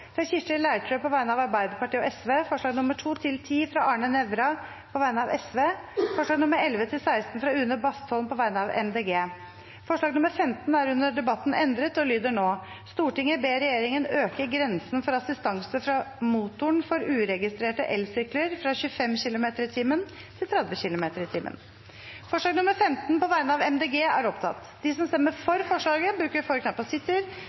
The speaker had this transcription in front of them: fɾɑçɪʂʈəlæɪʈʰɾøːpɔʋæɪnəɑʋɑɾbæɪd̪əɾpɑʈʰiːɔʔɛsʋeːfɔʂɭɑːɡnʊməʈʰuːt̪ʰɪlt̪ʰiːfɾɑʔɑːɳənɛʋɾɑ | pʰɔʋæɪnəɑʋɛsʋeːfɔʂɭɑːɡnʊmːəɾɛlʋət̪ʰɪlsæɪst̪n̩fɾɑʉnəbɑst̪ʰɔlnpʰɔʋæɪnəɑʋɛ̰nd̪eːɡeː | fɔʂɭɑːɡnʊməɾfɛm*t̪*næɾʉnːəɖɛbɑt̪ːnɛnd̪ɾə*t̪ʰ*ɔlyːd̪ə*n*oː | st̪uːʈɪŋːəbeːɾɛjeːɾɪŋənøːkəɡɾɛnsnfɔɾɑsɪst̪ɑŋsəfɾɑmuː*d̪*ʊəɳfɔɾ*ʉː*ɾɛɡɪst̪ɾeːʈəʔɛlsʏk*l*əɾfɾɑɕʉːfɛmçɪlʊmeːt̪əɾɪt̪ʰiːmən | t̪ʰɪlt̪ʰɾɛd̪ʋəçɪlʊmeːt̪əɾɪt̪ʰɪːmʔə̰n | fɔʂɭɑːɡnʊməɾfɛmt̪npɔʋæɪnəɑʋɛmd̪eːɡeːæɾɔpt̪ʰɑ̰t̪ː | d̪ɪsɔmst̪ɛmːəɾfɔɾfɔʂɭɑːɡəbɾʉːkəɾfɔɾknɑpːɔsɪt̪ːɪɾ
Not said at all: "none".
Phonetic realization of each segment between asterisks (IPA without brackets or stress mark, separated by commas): t̪, t̪, ɳ, t̪, ʉː, l